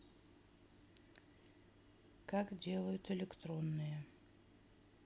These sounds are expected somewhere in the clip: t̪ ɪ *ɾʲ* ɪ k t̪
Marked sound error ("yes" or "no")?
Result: yes